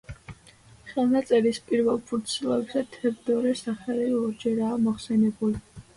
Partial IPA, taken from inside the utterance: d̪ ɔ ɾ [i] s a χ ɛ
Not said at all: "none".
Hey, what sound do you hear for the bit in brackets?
ɛ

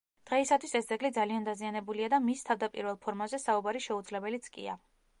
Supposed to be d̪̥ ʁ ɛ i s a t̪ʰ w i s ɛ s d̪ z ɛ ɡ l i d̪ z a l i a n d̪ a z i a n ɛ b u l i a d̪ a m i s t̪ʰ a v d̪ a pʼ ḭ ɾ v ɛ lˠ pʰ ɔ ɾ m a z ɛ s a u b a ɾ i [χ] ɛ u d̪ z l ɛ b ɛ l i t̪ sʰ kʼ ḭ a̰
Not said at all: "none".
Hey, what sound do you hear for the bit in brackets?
ʃ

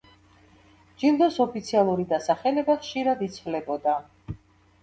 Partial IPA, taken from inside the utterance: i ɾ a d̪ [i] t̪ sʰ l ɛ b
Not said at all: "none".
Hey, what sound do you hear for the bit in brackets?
i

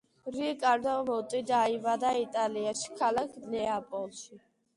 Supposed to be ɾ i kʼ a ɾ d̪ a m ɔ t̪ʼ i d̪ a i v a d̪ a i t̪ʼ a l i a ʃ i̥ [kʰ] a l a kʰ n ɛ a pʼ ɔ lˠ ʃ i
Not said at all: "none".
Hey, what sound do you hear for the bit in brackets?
kʰ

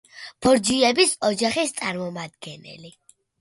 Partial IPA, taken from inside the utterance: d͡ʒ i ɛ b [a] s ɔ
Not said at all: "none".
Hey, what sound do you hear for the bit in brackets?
i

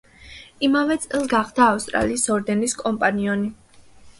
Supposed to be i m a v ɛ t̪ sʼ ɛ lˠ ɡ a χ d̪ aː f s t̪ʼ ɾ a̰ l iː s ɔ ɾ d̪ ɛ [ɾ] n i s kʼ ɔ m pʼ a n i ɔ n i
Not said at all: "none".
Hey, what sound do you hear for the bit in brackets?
none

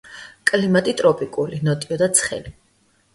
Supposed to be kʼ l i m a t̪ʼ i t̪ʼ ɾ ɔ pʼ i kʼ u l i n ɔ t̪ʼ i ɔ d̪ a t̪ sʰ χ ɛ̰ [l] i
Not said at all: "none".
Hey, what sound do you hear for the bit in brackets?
l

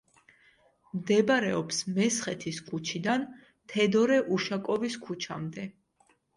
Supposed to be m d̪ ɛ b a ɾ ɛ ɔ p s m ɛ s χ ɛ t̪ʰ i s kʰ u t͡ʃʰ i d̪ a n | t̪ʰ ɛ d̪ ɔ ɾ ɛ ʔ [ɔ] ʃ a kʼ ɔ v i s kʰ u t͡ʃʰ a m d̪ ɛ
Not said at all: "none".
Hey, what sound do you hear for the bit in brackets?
u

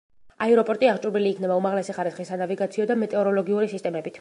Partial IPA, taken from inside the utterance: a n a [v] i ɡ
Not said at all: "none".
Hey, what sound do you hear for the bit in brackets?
v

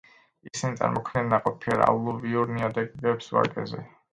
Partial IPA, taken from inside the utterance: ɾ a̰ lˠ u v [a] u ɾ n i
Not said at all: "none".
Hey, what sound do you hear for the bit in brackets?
i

